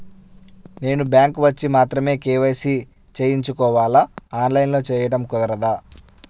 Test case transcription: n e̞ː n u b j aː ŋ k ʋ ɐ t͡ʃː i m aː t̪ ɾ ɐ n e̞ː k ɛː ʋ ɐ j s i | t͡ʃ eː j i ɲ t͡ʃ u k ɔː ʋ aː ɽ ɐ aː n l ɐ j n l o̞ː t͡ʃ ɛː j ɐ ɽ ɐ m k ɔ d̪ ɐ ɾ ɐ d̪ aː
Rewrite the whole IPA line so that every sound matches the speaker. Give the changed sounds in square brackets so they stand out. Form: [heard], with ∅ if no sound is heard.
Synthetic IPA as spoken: n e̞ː n u b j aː ŋ k ʋ ɐ t͡ʃː i m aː t̪ ɾ ɐ [m] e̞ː k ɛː ʋ ɐ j s i | t͡ʃ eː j i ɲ t͡ʃ u k ɔː ʋ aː [l] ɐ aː n l ɐ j n l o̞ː t͡ʃ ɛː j ɐ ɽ ɐ m k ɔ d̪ ɐ ɾ ɐ d̪ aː